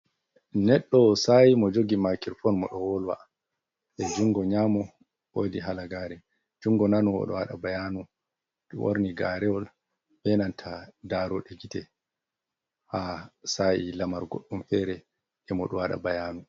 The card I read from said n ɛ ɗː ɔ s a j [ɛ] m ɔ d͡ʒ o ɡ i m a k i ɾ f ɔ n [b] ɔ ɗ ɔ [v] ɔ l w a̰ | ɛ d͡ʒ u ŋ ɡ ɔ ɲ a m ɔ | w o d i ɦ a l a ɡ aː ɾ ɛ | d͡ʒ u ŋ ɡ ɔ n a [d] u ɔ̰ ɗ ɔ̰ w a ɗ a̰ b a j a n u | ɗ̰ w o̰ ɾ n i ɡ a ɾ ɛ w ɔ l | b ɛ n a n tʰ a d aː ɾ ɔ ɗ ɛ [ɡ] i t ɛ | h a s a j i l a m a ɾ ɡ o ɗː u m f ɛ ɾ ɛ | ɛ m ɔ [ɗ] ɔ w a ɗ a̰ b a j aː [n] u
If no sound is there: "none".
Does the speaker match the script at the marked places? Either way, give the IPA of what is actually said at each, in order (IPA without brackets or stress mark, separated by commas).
i, m, w, n, ɡ, ɗ, n